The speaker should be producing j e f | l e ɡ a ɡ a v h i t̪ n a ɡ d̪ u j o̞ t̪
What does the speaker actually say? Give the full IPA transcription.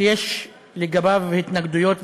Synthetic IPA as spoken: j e ʃ | l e ɡ a b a v h i t̪ n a ɡ d̪ u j o̞ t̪